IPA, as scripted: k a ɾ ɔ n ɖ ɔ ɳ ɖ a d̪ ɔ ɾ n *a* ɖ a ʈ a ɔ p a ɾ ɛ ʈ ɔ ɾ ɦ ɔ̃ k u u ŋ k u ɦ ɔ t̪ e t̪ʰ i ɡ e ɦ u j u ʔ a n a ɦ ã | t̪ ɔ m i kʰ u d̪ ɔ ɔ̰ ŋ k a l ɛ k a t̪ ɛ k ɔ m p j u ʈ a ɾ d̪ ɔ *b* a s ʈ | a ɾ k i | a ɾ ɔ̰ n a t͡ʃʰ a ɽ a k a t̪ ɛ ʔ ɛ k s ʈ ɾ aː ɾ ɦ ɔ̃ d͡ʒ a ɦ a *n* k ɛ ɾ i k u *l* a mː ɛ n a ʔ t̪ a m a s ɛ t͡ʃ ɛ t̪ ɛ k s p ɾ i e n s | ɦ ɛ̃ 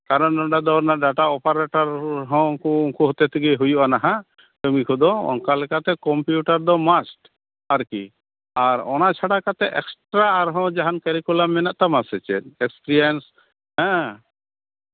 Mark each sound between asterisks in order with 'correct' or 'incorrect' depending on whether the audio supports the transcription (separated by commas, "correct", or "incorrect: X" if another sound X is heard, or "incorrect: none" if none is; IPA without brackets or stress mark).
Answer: correct, incorrect: m, correct, correct